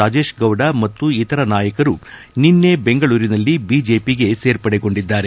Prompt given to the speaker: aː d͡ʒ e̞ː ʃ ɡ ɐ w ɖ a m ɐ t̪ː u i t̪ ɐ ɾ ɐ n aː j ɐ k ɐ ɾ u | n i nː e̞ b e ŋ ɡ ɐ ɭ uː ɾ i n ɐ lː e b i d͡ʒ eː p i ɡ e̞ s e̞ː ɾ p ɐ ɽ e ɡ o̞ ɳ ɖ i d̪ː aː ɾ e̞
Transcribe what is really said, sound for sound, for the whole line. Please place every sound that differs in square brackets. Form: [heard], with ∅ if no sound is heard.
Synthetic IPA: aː d͡ʒ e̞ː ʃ ɡ ɐ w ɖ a m ɐ t̪ː u i t̪ ɐ ɾ ɐ n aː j ɐ k ɐ ɾ u | n i nː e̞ b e ŋ ɡ ɐ ɭ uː ɾ i n ɐ lː [i] b i d͡ʒ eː p i ɡ e̞ s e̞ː ɾ p ɐ ɽ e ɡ o̞ ɳ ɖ i d̪ː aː ɾ e̞